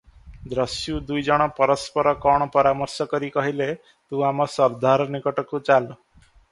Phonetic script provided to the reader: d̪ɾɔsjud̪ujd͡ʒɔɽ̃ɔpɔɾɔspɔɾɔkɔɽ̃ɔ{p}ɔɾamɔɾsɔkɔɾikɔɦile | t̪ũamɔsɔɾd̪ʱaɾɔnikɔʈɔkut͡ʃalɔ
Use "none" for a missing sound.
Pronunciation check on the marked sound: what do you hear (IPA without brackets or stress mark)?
p